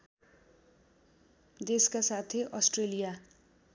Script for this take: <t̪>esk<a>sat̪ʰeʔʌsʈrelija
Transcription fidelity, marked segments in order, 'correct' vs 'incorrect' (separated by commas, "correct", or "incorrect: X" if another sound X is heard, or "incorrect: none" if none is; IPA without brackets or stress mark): incorrect: d̪, correct